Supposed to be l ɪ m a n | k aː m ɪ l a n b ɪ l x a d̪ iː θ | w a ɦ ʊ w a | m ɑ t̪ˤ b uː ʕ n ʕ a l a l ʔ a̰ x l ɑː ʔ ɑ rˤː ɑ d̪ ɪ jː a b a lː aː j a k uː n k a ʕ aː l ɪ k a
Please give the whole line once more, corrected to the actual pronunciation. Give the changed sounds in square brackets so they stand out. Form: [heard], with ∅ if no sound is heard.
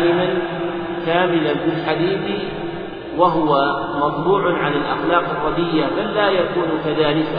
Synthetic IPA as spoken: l ɪ m a n | k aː m ɪ l a n b ɪ l [ħ] a d̪ iː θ | w a ɦ ʊ w a | m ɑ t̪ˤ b uː ʕ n ʕ a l a l ʔ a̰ x l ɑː [q] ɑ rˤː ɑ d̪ ɪ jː a b a lː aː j a k uː n k a [ð] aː l ɪ k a